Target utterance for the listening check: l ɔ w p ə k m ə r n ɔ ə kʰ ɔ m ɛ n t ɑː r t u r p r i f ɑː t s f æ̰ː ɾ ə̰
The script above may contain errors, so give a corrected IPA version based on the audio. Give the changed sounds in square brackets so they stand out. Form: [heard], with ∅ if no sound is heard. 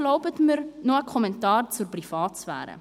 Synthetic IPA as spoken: l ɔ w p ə [t] m ə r n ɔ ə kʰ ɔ m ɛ n t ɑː r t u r p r i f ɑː t s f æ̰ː ɾ ə̰